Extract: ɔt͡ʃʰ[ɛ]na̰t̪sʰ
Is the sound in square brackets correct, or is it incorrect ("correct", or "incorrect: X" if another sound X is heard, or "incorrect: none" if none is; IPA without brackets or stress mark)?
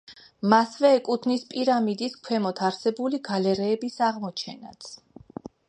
correct